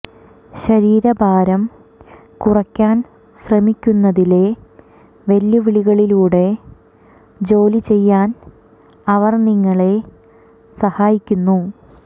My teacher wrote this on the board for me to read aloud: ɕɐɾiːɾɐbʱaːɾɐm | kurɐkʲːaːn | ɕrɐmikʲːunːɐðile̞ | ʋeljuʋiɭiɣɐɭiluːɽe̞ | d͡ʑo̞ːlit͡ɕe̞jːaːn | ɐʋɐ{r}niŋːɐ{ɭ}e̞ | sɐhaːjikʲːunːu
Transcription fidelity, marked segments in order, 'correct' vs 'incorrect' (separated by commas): correct, correct